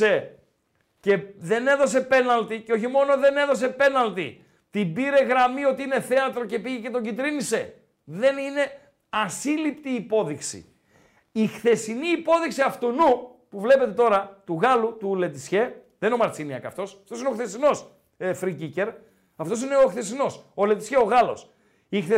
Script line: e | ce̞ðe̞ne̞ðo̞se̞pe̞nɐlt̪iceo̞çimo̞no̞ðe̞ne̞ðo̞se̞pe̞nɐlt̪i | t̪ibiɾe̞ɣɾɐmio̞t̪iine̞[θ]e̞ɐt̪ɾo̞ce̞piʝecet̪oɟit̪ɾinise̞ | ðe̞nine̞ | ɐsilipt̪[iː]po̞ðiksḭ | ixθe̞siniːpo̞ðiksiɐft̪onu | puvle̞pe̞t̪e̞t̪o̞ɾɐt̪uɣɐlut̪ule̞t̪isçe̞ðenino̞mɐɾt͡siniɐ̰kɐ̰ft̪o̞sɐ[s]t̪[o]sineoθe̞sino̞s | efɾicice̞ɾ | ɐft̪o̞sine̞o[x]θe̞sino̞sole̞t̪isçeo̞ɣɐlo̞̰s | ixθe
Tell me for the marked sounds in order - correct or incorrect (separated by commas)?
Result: correct, correct, incorrect, correct, correct